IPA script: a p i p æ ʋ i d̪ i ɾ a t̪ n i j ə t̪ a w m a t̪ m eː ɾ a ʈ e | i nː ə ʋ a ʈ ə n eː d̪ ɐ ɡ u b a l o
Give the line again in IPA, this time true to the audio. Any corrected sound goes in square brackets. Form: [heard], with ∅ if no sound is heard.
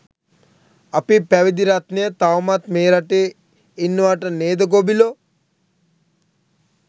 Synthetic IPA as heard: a p i p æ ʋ i d̪ i ɾ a t̪ n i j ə t̪ a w m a t̪ m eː ɾ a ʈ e | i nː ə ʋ a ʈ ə n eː d̪ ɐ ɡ [o] b [i] l o